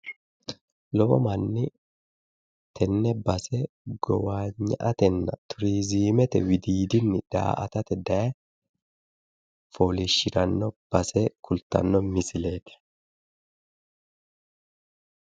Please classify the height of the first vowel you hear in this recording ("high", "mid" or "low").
mid